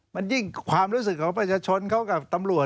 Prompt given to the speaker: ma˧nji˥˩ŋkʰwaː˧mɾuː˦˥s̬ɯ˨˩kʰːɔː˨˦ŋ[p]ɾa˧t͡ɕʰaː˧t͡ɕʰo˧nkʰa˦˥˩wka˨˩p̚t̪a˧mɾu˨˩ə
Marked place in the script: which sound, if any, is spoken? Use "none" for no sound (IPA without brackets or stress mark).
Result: p